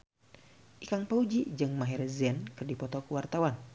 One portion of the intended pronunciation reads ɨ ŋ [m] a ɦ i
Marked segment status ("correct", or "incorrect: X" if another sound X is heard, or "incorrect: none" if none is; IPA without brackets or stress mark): correct